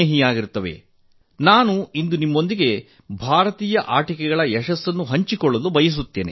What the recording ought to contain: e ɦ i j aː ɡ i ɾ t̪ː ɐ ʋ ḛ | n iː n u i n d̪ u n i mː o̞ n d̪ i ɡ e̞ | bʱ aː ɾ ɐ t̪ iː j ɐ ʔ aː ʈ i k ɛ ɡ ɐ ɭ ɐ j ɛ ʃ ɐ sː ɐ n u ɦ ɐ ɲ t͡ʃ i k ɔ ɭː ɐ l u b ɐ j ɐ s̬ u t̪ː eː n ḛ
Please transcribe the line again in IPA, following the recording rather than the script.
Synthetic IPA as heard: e ɦ i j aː ɡ i ɾ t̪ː ɐ ʋ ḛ | n aː n u i n d̪ u n i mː o̞ n d̪ i ɡ e̞ | bʱ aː ɾ ɐ t̪ iː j ɐ ʔ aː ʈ i k ɛ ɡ ɐ ɭ ɐ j ɛ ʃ ɐ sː ɐ nː u ɦ ɐ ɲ t͡ʃ i k ɔ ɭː ɐ l u b ɐ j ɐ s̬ u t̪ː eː n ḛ

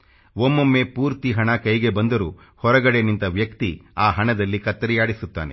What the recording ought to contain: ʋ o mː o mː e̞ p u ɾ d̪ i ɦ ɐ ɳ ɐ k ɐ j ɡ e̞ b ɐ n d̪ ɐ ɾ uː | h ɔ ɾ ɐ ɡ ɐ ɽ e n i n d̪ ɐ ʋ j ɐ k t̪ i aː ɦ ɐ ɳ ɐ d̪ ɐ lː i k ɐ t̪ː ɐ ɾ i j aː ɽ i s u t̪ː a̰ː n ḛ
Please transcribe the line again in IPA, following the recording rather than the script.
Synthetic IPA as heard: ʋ o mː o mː e̞ p uː ɾ t̪ i ɦ ɐ ɳ ɐ k ɐ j ɡ e̞ b ɐ n d̪ ɐ ɾ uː | h ɔ ɾ ɐ ɡ ɐ ɽ e n i n t̪ ɐ ʋ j ɐ k t̪ i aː ɦ ɐ ɳ ɐ d̪ ɐ lː i k ɐ t̪ː ɐ ɾ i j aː ɽ i s u t̪ː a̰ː n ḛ

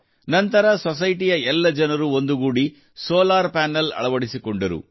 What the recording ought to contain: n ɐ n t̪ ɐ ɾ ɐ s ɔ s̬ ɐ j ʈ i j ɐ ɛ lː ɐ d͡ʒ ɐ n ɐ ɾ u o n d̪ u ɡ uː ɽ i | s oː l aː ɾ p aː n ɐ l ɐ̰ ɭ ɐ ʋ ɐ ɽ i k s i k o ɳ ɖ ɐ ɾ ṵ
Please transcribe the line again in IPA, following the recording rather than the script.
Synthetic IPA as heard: n ɐ n t̪ ɐ ɾ ɐ s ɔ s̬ ɐ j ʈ i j ɐ ɛ lː ɐ d͡ʒ ɐ n ɐ ɾ u o n d̪ u ɡ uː ɽ i | s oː l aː ɾ p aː n ɐ l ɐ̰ ɭ ɐ ʋ ɐ ɽ i s i k o ɳ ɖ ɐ ɾ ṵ

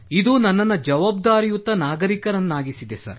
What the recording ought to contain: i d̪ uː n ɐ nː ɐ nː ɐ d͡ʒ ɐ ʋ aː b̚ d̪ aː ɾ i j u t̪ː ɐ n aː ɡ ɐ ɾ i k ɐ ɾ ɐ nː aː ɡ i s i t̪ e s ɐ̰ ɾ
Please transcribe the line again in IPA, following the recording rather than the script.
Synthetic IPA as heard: i d̪ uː n ɐ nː ɐ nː ɐ d͡ʒ ɐ ʋ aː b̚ d̪ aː ɾ i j u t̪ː ɐ n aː ɡ ɐ ɾ i k ɐ ɾ ɐ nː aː ɡ i s i d̪ e s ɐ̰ ɾ

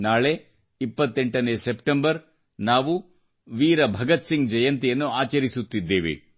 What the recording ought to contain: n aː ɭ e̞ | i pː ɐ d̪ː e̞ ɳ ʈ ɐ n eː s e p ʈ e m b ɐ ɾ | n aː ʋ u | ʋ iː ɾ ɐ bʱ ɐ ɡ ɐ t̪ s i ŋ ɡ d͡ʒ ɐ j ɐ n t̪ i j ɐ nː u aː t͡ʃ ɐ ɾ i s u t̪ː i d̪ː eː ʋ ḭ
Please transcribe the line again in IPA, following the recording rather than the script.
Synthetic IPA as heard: n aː ɭ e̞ | i pː ɐ t̪ː e̞ ɳ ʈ ɐ n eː s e p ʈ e m b ɐ ɾ | n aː ʋ u | ʋ iː ɾ ɐ bʱ ɐ ɡ ɐ t̪ s i ŋ ɡ d͡ʒ ɐ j ɐ n t̪ i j ɐ nː u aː t͡ʃ ɐ ɾ i s u t̪ː i d̪ː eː ʋ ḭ

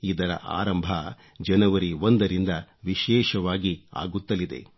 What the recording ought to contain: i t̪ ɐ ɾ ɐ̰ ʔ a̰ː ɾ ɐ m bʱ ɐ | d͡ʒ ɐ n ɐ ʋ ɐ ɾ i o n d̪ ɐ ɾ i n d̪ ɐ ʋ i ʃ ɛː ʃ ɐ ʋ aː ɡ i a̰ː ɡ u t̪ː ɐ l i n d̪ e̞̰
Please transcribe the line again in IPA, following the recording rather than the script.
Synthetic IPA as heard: i d̪ ɐ ɾ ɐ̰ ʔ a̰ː ɾ ɐ m bʱ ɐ | d͡ʒ ɐ n ɐ ʋ ɐ ɾ i o n d̪ ɐ ɾ i n d̪ ɐ ʋ i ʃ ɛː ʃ ɐ ʋ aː ɡ i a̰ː ɡ u t̪ː ɐ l i d̪ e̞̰

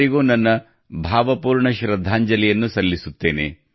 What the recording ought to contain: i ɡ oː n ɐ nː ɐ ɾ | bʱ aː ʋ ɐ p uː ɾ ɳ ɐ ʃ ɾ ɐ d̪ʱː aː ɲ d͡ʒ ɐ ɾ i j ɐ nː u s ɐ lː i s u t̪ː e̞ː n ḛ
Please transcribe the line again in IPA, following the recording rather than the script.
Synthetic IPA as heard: i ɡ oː n ɐ nː ɐ | bʱ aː ʋ ɐ p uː ɾ ɳ ɐ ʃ ɾ ɐ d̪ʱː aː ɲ d͡ʒ ɐ l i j ɐ nː u s ɐ lː i s u t̪ː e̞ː n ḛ

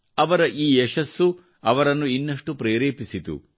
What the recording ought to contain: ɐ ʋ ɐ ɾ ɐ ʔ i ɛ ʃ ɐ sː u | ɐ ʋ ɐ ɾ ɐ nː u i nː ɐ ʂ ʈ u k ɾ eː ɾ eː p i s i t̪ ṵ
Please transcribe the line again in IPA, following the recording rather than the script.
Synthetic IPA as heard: ɐ ʋ ɐ ɾ ɐ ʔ iː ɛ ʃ ɐ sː u | ɐ ʋ ɐ ɾ ɐ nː u i nː ɐ ʂ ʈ u p ɾ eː ɾ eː p i s i t̪ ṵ

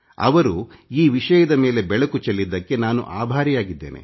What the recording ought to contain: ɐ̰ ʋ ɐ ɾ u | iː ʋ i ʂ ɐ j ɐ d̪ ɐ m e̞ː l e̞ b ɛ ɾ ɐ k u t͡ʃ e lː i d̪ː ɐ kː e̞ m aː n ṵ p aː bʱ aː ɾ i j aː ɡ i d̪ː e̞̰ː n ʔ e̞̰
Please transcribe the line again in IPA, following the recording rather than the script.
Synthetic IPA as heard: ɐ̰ ʋ ɐ ɾ u | iː ʋ i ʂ ɐ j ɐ d̪ ɐ m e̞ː l e̞ b ɛ ɭ ɐ k u t͡ʃ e lː i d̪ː ɐ kː e̞ n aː n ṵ ʔ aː bʱ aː ɾ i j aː ɡ i d̪ː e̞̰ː n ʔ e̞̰

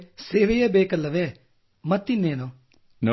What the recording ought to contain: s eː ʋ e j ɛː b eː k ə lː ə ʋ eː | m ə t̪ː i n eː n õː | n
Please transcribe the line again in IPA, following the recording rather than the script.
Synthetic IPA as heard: s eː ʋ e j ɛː b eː k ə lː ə ʋ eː | m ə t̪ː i n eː n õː | n

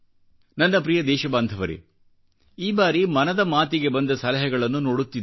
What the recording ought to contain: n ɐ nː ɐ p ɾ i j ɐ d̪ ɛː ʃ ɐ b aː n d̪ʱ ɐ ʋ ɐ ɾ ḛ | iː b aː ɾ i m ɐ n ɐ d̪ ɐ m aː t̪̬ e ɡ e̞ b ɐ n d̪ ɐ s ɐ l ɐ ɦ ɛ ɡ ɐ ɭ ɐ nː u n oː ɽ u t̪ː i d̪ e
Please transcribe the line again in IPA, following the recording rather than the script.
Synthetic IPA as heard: n ɐ nː ɐ p ɾ i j ɐ d̪ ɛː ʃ ɐ b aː n d̪ʱ ɐ ʋ ɐ ɾ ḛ | iː b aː ɾ i m ɐ n ɐ d̪ ɐ m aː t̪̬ i ɡ e̞ b ɐ n d̪ ɐ s ɐ l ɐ ɦ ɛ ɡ ɐ ɭ ɐ nː u n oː ɽ u t̪ː i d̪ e

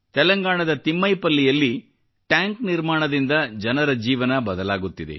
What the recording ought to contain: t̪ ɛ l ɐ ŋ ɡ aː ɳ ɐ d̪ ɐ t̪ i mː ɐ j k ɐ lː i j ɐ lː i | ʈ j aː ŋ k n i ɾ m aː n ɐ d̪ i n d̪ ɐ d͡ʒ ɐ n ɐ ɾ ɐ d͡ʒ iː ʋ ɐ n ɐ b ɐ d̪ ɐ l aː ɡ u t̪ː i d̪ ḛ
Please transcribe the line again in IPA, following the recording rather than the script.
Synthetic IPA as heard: t̪ ɛ l ɐ ŋ ɡ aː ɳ ɐ d̪ ɐ t̪ i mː ɐ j p ɐ lː i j ɐ lː i | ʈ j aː ŋ k n i ɾ m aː ɳ ɐ d̪ i n d̪ ɐ d͡ʒ ɐ n ɐ ɾ ɐ d͡ʒ iː ʋ ɐ n ɐ b ɐ d̪ ɐ l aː ɡ u t̪ː i d̪ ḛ

